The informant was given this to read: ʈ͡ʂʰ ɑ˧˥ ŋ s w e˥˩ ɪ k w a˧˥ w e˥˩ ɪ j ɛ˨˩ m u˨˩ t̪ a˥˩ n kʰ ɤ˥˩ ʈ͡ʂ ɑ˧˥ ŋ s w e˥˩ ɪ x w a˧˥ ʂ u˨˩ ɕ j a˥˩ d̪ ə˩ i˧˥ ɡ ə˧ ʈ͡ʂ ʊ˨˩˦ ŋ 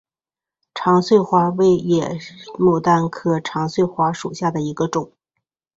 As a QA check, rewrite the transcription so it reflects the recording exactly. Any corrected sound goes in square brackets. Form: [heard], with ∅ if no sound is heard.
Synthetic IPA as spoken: ʈ͡ʂʰ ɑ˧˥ ŋ s w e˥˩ ɪ [x] w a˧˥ w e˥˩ ɪ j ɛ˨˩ m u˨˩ t̪ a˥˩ n kʰ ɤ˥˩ [ʈ͡ʂʰ] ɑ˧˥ ŋ s w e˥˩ ɪ x w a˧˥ ʂ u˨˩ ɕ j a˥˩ d̪ ə˩ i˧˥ ɡ ə˧ ʈ͡ʂ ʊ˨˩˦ ŋ